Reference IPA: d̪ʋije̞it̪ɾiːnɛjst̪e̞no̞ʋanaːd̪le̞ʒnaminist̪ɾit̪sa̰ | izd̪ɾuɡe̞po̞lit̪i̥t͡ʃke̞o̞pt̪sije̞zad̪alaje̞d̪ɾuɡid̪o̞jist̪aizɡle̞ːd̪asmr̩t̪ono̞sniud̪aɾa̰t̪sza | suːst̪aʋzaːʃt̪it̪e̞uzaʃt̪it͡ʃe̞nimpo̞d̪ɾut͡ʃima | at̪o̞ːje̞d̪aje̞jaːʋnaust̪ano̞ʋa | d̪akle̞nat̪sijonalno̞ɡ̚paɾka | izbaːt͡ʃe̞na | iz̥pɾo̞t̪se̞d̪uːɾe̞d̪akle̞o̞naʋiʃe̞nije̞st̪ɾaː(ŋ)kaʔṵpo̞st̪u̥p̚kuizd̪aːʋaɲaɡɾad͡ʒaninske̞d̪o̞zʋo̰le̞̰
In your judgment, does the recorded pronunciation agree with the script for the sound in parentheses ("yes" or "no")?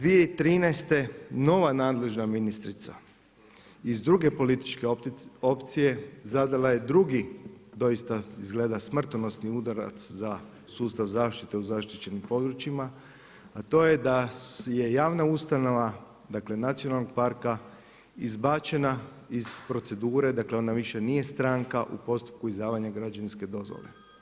yes